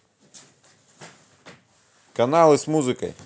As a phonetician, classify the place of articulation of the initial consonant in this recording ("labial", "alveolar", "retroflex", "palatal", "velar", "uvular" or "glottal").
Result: velar